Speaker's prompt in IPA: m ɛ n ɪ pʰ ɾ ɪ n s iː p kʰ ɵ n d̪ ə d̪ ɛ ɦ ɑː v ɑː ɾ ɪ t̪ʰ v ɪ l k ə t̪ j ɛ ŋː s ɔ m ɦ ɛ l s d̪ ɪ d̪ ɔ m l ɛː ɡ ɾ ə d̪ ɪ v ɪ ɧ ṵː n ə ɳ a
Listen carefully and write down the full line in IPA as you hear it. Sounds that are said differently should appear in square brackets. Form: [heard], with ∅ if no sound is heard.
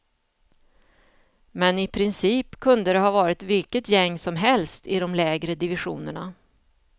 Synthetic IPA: m ɛ n ɪ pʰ ɾ ɪ n s iː p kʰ ɵ n d̪ ə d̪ ɛ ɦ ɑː v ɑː ɾ ɪ [t̪] v ɪ l k ə t̪ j ɛ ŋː s ɔ m ɦ ɛ l s [t̪] ɪ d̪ ɔ m l ɛː ɡ ɾ ə d̪ ɪ v ɪ ɧ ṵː n ə ɳ a